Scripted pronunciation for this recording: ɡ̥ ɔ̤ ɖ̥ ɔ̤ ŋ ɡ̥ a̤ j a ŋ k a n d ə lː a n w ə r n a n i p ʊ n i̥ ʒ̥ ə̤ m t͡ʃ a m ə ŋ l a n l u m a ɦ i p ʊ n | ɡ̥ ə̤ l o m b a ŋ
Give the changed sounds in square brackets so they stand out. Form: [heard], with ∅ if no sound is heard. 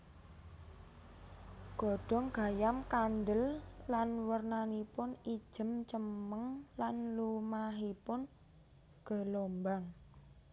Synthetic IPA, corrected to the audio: ɡ̥ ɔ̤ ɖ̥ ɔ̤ ŋ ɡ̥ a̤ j a [m] k a n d ə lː a n w ə r n a n i p ʊ n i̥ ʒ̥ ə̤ m t͡ʃ [ə] m ə ŋ l a n l u m a ɦ i p ʊ n | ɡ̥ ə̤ l o m b a ŋ